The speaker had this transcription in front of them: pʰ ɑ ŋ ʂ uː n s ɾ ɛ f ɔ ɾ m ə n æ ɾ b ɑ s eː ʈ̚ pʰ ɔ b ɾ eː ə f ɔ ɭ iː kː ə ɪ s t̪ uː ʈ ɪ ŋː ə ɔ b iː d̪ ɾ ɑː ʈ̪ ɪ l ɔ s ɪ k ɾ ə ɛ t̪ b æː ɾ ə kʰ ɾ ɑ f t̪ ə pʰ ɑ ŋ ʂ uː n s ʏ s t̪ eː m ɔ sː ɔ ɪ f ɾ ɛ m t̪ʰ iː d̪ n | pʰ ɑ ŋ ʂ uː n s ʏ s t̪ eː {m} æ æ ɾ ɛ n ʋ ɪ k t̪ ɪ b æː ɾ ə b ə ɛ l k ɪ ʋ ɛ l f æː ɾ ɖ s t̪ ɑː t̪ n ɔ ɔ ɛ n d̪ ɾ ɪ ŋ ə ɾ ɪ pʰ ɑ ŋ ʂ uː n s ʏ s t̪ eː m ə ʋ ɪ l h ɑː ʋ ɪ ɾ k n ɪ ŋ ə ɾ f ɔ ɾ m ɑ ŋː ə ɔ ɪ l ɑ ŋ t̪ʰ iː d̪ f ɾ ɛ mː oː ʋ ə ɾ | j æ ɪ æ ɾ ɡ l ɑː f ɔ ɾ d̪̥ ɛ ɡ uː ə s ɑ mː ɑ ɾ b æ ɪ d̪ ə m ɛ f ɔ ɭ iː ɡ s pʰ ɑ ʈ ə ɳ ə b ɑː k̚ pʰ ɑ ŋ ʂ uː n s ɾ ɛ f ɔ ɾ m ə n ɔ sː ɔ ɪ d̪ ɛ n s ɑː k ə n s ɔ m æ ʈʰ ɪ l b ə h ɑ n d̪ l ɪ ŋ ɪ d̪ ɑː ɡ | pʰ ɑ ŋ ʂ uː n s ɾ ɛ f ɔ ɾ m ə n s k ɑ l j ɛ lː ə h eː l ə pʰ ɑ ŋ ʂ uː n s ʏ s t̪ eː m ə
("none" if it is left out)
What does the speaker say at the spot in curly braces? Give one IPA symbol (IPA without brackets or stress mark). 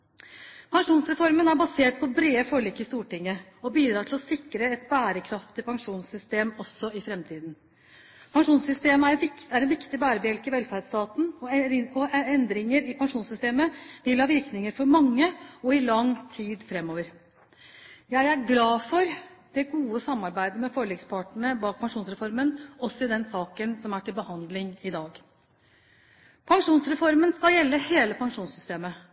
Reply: m